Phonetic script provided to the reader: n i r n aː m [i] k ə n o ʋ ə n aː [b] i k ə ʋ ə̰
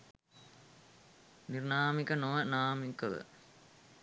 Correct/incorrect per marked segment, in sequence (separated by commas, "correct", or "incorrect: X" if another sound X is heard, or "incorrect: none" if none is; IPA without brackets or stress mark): correct, incorrect: m